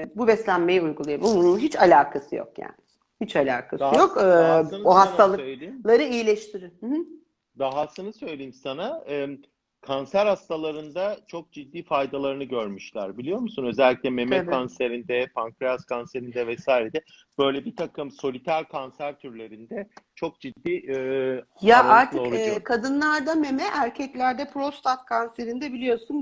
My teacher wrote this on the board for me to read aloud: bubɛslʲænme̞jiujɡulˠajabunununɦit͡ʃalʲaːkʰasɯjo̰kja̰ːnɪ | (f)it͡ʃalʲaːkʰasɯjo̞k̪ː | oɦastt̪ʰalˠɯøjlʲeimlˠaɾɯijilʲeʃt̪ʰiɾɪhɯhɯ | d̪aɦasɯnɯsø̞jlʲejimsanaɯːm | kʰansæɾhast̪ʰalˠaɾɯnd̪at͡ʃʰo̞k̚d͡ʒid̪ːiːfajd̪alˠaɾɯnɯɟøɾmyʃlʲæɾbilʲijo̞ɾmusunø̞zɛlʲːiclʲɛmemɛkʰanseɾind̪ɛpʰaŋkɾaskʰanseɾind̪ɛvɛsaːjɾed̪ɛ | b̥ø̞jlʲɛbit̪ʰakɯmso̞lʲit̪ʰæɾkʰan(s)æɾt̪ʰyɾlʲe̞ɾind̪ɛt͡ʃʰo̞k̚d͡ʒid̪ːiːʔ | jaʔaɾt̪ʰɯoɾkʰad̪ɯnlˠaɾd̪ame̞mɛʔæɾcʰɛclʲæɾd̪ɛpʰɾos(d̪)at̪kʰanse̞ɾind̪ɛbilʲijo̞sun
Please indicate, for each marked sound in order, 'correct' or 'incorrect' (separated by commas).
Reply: incorrect, correct, incorrect